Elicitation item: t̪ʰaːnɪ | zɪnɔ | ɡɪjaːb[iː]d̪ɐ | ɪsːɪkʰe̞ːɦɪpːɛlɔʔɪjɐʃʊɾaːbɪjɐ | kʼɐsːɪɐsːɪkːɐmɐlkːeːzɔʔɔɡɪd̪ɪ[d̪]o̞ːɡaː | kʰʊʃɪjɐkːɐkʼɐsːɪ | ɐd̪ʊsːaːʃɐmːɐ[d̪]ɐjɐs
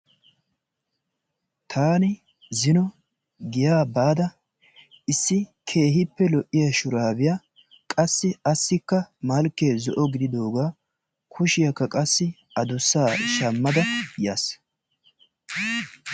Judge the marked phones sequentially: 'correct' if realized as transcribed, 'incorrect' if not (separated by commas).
incorrect, correct, correct